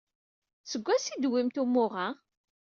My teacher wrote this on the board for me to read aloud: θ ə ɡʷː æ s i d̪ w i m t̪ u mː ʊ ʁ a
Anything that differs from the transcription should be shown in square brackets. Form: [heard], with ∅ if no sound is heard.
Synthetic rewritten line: [s] ə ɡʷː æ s i d̪ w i m t̪ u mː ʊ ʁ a